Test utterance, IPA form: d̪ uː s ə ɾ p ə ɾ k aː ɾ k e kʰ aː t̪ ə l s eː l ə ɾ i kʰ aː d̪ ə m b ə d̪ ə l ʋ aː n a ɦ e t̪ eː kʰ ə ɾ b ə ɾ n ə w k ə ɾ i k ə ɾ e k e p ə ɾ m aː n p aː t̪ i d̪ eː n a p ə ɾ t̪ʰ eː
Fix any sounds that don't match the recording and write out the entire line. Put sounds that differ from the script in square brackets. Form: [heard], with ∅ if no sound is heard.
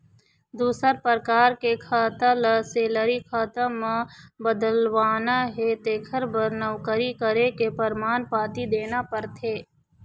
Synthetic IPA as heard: d̪ uː s ə ɾ p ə ɾ k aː ɾ k e kʰ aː t̪ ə l s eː l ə ɾ i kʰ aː [t̪] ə m b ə d̪ ə l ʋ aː n a ɦ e t̪ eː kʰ ə ɾ b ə ɾ n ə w k ə ɾ i k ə ɾ e k e p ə ɾ m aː n p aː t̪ i d̪ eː n a p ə ɾ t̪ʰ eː

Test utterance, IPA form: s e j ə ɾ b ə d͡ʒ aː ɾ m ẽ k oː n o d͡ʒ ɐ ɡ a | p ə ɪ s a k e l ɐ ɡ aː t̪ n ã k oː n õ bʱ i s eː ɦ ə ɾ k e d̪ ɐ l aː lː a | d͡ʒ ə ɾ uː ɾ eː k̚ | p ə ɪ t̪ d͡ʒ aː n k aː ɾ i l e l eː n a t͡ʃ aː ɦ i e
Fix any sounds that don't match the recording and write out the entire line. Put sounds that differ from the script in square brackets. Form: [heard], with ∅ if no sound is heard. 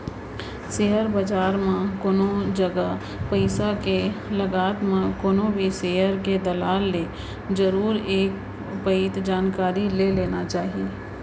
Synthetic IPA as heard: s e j ə ɾ b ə d͡ʒ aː ɾ m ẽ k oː n o d͡ʒ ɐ ɡ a | p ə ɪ s a k e l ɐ ɡ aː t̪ [m] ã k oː n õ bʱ i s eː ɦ ə ɾ k e d̪ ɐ l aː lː [e] | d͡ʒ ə ɾ uː ɾ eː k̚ | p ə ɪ t̪ d͡ʒ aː n k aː ɾ i l e l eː n a t͡ʃ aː ɦ i e

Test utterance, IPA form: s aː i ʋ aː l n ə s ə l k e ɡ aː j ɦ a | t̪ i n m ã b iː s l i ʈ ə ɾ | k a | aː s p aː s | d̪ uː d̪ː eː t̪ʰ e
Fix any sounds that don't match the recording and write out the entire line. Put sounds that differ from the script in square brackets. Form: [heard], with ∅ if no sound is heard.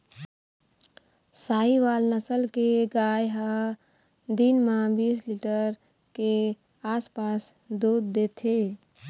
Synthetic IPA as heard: s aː i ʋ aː l n ə s ə l k e ɡ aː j ɦ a | [d̪] i n m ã b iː s l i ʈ ə ɾ | k [e] | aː s p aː s | d̪ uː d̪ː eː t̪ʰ e

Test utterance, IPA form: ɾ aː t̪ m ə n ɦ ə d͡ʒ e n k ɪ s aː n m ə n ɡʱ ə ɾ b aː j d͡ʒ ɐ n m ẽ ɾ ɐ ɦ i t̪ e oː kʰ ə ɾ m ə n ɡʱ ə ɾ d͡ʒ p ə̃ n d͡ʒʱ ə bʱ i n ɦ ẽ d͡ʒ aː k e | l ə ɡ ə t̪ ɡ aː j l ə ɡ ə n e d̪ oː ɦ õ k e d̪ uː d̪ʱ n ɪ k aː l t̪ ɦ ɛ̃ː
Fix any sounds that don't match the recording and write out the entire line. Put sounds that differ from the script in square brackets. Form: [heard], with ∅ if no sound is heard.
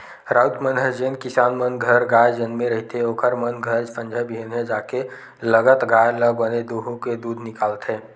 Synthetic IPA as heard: ɾ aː t̪ m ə n ɦ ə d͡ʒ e n k ɪ s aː n m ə n ɡʱ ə ɾ [ɡ] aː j d͡ʒ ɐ n m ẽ ɾ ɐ ɦ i t̪ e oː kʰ ə ɾ m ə n ɡʱ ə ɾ d͡ʒ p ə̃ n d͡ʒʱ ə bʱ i n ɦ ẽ d͡ʒ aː k e | l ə ɡ ə t̪ ɡ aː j l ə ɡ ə n e d̪ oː ɦ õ k e d̪ uː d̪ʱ n ɪ k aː l t̪ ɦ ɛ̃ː

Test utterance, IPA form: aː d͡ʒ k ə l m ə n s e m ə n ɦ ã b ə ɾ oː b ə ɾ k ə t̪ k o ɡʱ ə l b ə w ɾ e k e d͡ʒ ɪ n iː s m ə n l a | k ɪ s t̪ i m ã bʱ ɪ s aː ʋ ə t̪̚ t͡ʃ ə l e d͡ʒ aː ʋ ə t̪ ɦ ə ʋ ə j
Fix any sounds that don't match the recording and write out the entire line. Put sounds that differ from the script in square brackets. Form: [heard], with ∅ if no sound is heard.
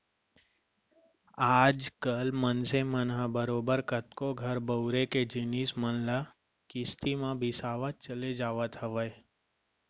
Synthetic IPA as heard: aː d͡ʒ k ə l m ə n s e m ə n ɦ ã b ə ɾ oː b ə ɾ k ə t̪ k o ɡʱ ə [ɾ] b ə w ɾ e k e d͡ʒ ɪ n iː s m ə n l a | k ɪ s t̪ i m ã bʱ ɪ s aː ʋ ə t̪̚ t͡ʃ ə l e d͡ʒ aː ʋ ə t̪ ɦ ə ʋ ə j

